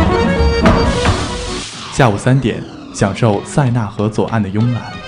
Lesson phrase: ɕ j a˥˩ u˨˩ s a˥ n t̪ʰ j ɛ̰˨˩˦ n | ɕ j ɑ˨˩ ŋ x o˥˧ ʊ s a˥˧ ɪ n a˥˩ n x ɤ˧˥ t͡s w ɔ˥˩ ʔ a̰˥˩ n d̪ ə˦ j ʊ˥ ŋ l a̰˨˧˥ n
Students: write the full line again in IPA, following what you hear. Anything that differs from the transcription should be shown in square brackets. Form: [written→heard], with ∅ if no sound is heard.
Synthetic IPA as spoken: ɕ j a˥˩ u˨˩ s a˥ n [t̪ʰ→t̪] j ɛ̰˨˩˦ n | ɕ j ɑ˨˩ ŋ [x→ʂ] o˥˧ ʊ s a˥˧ ɪ n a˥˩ [n→∅] x ɤ˧˥ t͡s w [ɔ˥˩→ɔ˨˩] ʔ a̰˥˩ n d̪ [ə˦→ə˩] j ʊ˥ ŋ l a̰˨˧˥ n